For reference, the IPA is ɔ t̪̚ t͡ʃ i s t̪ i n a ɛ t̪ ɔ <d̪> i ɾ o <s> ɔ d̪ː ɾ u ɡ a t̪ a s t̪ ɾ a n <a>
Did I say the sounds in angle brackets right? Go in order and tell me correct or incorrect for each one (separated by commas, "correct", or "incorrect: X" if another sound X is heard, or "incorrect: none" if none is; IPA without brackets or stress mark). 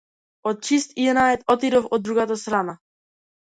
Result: incorrect: t̪, incorrect: f, correct